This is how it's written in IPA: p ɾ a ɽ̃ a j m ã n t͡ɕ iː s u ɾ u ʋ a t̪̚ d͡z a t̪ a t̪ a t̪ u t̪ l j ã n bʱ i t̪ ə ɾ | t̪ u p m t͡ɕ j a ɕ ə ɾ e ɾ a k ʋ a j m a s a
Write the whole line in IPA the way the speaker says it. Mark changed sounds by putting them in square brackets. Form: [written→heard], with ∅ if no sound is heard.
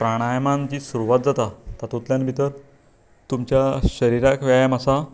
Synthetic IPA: p ɾ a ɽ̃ a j m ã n t͡ɕ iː s u ɾ u ʋ a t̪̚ d͡z a t̪ a t̪ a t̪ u t̪ l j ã n bʱ i t̪ ə ɾ | t̪ u [p→∅] m t͡ɕ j a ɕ ə ɾ [e→i] ɾ a k ʋ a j m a s a